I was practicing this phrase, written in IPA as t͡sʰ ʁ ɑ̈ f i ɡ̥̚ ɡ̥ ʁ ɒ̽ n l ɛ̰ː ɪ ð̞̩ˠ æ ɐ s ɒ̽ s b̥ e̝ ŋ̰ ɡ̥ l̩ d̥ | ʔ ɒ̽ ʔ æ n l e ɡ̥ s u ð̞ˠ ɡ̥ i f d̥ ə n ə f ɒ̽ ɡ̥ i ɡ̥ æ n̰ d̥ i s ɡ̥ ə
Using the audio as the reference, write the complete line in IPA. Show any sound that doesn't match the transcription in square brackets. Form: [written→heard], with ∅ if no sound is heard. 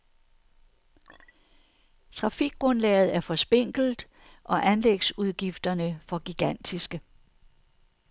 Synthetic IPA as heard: t͡sʰ ʁ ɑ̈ f i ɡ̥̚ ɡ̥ ʁ [ɒ̽→ɔ̽] n l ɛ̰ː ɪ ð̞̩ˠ æ ɐ [s→f] ɒ̽ s b̥ e̝ ŋ̰ ɡ̥ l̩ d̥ | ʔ ɒ̽ ʔ æ n l e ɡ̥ s u ð̞ˠ ɡ̥ i f d̥ [ə→ɐ] n ə f ɒ̽ ɡ̥ i ɡ̥ æ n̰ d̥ i s ɡ̥ ə